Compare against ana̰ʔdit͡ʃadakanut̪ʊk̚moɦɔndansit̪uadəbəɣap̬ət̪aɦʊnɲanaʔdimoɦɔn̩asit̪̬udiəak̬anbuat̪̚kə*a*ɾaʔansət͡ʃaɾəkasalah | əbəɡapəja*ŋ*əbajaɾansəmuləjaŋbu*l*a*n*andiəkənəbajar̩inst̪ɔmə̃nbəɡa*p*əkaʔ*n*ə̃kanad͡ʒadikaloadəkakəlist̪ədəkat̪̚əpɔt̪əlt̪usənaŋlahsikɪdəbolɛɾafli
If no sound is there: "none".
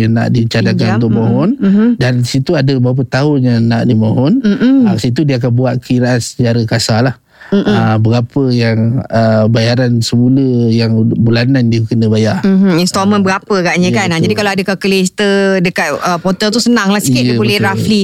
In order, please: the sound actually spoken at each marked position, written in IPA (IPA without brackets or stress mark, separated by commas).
i, ŋ, l, n, p, ɲ